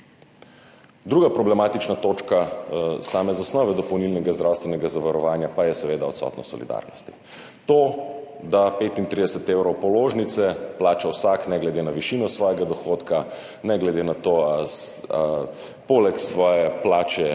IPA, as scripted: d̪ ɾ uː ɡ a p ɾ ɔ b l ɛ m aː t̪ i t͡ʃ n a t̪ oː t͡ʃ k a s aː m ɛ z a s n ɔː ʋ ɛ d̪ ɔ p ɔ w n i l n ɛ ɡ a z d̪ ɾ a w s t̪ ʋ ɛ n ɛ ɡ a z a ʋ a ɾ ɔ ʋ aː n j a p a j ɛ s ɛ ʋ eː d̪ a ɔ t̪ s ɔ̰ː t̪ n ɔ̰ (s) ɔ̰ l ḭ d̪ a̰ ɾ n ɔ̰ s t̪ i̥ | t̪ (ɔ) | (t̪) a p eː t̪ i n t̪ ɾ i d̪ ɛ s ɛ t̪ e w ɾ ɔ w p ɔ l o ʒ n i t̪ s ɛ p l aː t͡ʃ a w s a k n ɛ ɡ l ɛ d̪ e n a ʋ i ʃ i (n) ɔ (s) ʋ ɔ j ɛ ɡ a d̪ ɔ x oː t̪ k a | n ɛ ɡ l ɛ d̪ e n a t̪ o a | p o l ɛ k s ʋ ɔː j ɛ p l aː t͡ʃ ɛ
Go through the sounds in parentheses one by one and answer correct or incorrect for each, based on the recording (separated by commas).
correct, incorrect, incorrect, correct, correct